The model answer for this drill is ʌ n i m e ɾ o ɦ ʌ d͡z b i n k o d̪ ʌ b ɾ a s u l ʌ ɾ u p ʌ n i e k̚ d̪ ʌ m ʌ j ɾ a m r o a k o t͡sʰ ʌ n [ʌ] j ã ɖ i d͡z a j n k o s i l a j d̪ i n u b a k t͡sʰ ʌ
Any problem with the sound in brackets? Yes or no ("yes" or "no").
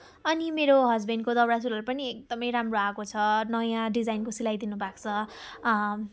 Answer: no